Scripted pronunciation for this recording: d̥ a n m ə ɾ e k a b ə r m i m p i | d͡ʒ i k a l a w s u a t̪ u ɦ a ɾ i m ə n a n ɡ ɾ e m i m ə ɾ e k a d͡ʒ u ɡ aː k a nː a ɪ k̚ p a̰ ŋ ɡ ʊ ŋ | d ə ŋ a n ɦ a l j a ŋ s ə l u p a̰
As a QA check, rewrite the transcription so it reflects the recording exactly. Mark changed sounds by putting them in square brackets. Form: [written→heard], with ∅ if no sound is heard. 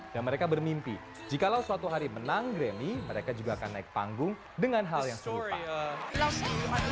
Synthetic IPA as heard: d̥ a n m ə ɾ e k a b ə r m i m p i | d͡ʒ i k a l a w s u a t̪ u ɦ a ɾ i m ə n a [n→ŋ] ɡ ɾ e m i m ə ɾ e k a d͡ʒ u ɡ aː k a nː a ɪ k̚ p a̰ ŋ ɡ ʊ ŋ | d ə ŋ a n ɦ a l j a ŋ s ə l u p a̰

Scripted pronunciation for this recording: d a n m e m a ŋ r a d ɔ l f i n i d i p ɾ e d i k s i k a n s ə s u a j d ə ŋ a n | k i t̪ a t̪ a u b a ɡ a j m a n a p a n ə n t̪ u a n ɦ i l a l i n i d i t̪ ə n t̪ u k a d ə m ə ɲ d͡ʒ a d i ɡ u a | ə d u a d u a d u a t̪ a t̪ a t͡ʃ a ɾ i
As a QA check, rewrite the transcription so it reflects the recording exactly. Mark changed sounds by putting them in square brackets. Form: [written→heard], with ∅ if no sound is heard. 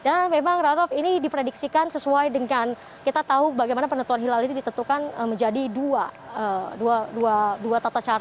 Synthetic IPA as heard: d a n m e m a ŋ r a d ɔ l f i n i d i p ɾ e d i k s i k a n s ə s u a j d ə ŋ a n | k i t̪ a t̪ a u b a ɡ a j m a n a p [a→ə] n ə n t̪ u a n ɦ i l a l i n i d i t̪ ə n t̪ u k a [d→n] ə m ə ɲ d͡ʒ a d i [ɡ→d] u a | ə d u a d u a d u a t̪ a t̪ a t͡ʃ a ɾ [i→a]

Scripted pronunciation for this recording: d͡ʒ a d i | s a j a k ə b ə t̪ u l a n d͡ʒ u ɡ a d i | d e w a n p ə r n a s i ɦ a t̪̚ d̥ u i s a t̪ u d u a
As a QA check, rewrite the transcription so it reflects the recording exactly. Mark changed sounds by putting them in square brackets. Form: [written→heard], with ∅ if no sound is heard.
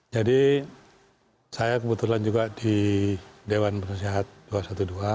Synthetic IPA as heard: d͡ʒ a d i | s a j a k ə b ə t̪ u l a n d͡ʒ u ɡ a d i | d e w a n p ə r n a s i ɦ a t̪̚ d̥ u [i→a] s a t̪ u d u a

